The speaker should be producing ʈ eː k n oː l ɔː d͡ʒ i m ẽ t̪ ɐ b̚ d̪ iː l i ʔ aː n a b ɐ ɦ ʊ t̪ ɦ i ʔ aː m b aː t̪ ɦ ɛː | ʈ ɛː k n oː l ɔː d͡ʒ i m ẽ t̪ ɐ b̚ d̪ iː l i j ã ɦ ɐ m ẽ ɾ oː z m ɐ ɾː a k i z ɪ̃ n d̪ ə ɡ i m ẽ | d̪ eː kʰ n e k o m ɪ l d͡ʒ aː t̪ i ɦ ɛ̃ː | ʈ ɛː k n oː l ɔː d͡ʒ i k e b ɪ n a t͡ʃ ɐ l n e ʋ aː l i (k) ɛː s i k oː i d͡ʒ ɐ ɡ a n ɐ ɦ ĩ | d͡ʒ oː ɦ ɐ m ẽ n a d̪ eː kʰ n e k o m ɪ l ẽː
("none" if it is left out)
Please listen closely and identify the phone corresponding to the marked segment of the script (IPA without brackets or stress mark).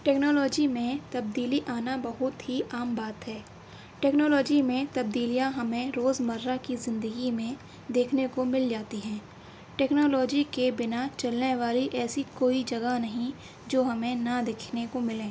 ʔ